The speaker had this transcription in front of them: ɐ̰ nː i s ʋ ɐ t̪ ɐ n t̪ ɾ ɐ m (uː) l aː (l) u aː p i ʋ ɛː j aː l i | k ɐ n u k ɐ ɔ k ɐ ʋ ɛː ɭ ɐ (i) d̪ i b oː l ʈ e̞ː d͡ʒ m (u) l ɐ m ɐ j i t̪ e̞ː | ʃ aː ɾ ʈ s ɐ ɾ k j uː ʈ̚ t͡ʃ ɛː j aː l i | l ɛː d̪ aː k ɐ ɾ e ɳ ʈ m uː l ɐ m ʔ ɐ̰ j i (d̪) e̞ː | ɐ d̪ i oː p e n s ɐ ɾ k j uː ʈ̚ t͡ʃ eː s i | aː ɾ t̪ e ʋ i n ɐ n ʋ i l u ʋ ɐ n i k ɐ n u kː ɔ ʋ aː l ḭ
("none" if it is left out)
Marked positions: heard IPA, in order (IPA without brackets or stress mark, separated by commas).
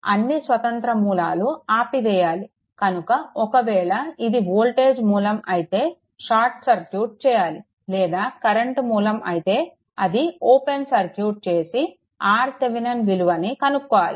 uː, l, i, uː, t̪